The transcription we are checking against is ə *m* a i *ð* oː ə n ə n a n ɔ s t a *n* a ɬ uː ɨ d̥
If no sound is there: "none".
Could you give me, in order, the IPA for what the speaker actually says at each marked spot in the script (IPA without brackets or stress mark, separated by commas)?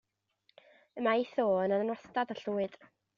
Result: m, θ, d